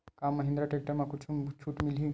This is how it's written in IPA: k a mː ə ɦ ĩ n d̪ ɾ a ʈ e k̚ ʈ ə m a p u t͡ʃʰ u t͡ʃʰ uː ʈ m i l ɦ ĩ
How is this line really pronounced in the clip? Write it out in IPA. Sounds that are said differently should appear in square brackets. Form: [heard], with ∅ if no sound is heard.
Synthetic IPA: k a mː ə ɦ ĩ n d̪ ɾ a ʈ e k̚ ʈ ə m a [k] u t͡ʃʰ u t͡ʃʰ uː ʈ m i l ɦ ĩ